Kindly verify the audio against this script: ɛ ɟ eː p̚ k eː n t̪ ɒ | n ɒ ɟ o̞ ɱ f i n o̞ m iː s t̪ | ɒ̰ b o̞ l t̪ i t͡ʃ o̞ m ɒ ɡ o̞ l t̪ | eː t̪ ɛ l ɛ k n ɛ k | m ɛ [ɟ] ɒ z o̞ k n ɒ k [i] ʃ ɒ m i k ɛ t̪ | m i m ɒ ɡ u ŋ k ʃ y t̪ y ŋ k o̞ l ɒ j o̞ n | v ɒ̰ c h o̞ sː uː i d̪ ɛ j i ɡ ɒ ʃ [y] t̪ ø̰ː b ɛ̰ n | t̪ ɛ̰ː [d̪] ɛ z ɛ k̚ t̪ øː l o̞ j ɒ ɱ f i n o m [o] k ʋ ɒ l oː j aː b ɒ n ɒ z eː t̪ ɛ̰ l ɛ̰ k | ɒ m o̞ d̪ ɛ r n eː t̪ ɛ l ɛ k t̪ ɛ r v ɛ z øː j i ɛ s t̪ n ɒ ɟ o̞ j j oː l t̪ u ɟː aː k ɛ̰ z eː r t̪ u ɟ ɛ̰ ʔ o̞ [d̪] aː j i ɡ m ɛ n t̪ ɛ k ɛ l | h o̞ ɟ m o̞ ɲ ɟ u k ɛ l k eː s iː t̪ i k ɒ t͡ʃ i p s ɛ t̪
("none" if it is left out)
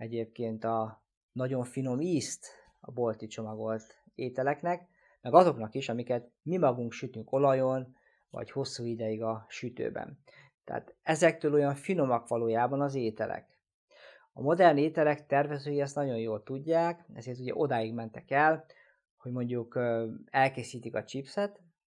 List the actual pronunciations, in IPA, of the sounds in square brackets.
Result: ɡ, i, y, t̪, ɒ, d̪

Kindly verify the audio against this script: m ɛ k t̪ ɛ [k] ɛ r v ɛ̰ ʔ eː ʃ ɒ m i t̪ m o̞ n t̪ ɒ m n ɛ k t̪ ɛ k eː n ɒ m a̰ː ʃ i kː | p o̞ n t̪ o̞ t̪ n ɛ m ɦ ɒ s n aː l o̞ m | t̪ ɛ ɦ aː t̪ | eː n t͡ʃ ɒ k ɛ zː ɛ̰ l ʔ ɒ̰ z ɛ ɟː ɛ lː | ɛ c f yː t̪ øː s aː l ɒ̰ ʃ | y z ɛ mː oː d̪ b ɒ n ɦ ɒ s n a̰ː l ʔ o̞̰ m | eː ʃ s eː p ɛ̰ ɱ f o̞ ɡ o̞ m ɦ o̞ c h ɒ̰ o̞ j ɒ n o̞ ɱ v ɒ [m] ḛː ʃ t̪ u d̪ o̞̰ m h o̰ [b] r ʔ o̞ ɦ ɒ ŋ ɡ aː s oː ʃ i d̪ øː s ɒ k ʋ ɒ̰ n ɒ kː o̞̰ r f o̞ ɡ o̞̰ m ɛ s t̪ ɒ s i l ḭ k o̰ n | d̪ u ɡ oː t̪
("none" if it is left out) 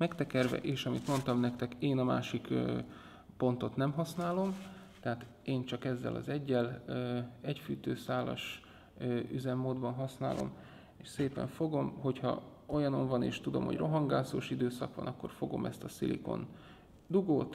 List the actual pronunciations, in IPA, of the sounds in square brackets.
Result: k, n, ɟ

